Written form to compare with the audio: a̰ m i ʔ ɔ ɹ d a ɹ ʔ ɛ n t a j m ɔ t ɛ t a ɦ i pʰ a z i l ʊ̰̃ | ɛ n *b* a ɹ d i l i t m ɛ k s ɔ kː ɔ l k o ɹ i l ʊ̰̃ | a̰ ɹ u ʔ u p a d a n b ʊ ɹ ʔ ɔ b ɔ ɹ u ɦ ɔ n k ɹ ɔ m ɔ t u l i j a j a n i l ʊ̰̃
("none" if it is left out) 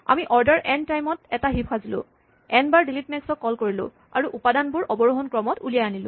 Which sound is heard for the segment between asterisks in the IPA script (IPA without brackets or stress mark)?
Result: b